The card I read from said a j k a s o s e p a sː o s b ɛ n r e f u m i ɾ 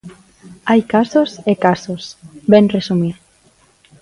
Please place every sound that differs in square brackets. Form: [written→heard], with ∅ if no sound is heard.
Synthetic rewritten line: a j k a s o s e [p→k] a [sː→s] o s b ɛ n r e [f→s] u m i ɾ